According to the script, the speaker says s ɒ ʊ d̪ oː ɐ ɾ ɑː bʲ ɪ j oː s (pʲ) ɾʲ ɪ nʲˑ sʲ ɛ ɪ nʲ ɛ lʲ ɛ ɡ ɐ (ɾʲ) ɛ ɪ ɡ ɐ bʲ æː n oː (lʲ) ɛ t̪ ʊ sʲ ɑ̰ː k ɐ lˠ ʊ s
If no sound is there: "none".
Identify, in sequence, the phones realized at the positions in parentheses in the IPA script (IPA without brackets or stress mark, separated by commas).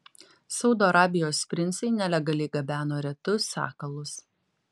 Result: pʲ, lʲ, ɾʲ